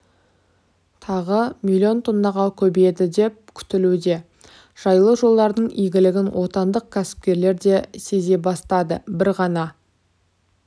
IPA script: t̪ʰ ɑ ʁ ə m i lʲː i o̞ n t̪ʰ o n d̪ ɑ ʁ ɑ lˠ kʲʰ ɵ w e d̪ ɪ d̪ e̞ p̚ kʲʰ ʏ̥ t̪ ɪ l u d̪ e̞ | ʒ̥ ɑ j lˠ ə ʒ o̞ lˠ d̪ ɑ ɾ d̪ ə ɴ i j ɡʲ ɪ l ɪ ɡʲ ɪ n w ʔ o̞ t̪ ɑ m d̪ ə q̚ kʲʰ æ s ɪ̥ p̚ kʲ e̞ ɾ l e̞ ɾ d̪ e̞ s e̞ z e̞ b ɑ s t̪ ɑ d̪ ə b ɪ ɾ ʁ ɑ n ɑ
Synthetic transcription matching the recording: t̪ʰ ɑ ʁ ə m i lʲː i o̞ n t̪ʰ o n d̪ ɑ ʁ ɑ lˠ kʲʰ ɵ b e d̪ ɪ d̪ e̞ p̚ kʲʰ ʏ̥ t̪ ɪ l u d̪ e̞ | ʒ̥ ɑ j lˠ ə ʒ o̞ lˠ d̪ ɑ ɾ d̪ ə ɴ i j ɡʲ ɪ l ɪ ɡʲ ɪ n w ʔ o̞ t̪ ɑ n d̪ ə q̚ kʲʰ æ s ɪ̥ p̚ kʲ e̞ ɾ l e̞ ɾ d̪ e̞ s e̞ z e̞ b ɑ s t̪ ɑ d̪ ə b ɪ ɾ ʁ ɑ n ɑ